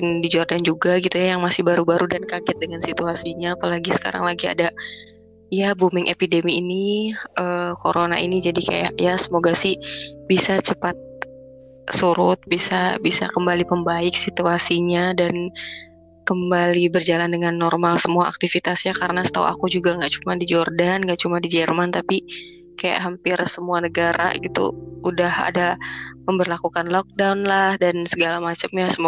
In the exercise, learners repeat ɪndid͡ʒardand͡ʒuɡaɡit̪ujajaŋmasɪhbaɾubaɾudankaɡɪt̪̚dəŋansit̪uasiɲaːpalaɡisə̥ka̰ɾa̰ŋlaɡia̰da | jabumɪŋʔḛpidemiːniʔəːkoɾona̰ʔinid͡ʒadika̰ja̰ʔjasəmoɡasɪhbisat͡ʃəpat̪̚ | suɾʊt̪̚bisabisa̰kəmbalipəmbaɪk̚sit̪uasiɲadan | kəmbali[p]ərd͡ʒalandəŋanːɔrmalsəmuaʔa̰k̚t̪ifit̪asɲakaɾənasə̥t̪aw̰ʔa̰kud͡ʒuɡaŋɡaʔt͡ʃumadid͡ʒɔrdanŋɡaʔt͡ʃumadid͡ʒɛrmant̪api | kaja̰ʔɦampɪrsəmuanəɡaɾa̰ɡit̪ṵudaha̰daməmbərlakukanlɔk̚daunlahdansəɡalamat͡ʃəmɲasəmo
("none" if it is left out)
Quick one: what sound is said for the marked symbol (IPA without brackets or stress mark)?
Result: b